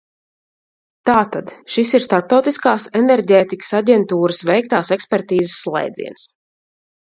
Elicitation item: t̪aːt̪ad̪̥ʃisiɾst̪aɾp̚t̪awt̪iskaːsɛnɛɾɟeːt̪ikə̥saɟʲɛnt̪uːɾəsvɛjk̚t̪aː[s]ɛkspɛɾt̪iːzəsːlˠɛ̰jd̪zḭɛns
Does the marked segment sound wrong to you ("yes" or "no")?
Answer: no